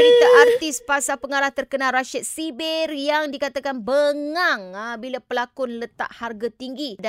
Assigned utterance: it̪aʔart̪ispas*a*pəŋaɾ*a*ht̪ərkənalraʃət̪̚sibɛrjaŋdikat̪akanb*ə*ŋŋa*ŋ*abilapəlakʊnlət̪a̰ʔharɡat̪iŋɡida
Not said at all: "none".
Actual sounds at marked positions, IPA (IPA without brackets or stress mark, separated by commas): a, a, ə, ŋ